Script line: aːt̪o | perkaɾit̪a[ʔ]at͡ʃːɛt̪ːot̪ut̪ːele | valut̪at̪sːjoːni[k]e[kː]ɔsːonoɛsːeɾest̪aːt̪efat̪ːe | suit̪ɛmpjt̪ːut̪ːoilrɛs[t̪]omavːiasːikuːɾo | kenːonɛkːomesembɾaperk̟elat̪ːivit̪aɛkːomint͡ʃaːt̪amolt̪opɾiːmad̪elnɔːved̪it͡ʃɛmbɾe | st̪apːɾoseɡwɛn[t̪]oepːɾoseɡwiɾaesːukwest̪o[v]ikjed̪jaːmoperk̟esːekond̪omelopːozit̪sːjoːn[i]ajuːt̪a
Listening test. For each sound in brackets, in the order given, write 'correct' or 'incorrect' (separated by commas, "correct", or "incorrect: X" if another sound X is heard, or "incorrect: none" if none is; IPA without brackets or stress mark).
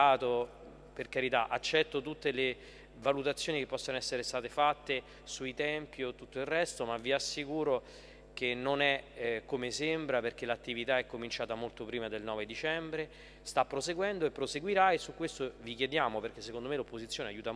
correct, correct, incorrect: pː, correct, incorrect: d̪, correct, incorrect: e